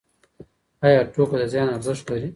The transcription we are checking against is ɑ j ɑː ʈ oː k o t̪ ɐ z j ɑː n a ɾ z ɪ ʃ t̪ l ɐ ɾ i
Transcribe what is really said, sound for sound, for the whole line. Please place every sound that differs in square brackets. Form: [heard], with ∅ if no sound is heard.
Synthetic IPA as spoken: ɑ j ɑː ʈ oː k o [d̪] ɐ z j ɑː n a ɾ z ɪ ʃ t̪ l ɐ ɾ i

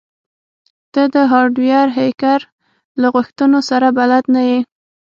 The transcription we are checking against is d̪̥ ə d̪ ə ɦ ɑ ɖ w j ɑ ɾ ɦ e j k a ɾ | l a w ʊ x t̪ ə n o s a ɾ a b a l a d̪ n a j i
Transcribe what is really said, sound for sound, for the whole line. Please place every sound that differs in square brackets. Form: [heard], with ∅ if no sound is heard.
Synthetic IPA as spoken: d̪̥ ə d̪ ə ɦ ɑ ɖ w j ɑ ɾ ɦ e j k a ɾ | l a [ɣ] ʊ x t̪ ə n o s a ɾ a b a l a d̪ n a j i

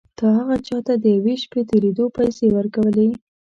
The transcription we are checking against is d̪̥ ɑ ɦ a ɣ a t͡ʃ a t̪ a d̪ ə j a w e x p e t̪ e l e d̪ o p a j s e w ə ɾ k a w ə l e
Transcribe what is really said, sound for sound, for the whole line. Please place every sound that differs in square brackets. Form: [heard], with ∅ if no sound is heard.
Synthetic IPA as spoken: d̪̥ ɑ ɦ a ɣ a t͡ʃ [ɑ] t̪ a d̪ ə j a w e [ʃ] p e t̪ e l e d̪ o p a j s e w ə ɾ k a w ə l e

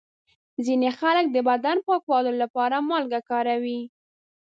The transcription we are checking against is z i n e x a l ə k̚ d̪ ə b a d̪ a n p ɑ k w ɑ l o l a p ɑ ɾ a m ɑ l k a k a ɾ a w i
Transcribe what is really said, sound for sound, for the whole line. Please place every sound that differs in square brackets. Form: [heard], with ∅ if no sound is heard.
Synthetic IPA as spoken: z i n e x a l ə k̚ d̪ ə b a d̪ a n p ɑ k w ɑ l o l a p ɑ ɾ a m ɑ l [ɡ] a k [ɑ] ɾ a w i

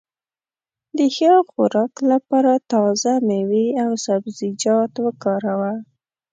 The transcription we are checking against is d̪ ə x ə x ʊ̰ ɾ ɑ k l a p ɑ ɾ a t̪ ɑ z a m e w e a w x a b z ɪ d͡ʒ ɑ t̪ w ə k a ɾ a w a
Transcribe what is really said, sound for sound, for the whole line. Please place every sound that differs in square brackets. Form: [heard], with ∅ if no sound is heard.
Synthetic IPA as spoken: d̪ ə x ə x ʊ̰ ɾ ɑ k l a p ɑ ɾ a t̪ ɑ z a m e w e a w [s] a b z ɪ d͡ʒ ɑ t̪ w ə k [ɑ] ɾ a w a

